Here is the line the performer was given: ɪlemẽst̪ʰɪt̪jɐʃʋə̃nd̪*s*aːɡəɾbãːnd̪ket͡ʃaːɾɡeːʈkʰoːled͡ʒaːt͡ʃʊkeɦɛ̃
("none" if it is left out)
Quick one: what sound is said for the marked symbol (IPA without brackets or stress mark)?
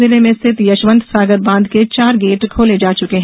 s